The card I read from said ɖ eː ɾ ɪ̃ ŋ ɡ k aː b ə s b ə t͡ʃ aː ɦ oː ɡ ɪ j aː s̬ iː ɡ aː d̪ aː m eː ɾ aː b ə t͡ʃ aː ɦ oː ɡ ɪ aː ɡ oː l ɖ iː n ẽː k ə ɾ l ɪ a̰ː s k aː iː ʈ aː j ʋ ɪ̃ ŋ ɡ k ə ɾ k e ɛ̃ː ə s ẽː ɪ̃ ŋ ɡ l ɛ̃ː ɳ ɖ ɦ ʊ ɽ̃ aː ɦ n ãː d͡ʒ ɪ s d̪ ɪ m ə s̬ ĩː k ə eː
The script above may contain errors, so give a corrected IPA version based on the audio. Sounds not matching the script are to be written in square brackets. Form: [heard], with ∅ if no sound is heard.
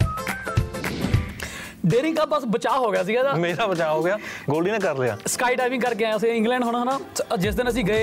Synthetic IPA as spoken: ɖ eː ɾ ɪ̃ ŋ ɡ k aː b ə s b ə t͡ʃ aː ɦ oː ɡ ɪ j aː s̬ iː ɡ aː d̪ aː m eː ɾ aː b ə t͡ʃ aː ɦ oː ɡ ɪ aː ɡ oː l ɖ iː n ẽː k ə ɾ l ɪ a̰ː s k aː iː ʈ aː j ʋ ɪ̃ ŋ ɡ k ə ɾ k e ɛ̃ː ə s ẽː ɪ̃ ŋ ɡ l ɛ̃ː ɳ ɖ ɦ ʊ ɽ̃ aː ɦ n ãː d͡ʒ ɪ s d̪ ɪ [n] ə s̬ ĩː [ɡ] ə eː